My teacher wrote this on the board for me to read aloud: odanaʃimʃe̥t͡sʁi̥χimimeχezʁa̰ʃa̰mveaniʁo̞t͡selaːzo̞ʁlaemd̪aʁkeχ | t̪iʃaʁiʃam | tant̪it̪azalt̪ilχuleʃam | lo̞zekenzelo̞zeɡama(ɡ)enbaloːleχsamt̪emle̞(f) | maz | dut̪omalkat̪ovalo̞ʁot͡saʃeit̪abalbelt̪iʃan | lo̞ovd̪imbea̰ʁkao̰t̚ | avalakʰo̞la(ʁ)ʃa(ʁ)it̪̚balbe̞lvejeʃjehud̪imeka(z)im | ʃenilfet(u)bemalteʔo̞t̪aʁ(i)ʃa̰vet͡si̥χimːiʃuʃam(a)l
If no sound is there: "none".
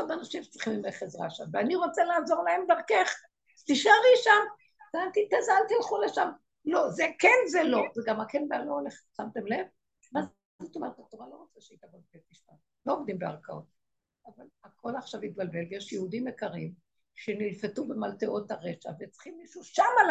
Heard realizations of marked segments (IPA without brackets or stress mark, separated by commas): k, v, χ, v, ʁ, u, e, a